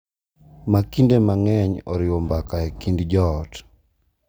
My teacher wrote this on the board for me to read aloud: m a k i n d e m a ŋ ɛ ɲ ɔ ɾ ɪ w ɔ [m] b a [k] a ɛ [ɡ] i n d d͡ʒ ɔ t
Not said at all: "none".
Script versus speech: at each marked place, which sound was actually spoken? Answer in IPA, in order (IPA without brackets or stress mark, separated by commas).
m, k, k